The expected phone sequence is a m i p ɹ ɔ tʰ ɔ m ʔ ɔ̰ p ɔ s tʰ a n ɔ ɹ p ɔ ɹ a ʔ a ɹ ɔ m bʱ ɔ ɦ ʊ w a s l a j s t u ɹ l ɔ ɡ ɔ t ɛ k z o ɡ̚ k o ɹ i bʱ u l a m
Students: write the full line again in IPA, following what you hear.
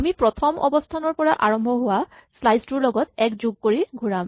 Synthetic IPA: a m i p ɹ ɔ tʰ ɔ m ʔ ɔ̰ b ɔ s tʰ a n ɔ ɹ p ɔ ɹ a ʔ a ɹ ɔ m bʱ ɔ ɦ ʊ w a s l a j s t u ɹ l ɔ ɡ ɔ t ɛ k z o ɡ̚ k o ɹ i ɡʱ u ɹ a m